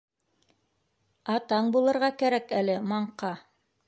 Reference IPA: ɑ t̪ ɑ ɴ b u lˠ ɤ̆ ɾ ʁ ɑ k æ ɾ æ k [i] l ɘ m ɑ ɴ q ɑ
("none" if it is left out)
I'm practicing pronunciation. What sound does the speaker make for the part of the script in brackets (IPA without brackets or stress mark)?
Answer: æ